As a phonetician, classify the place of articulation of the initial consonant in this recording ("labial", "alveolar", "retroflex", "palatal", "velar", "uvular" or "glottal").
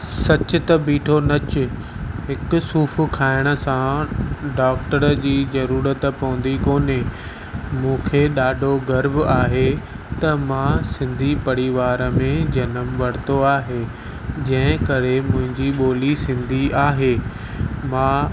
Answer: alveolar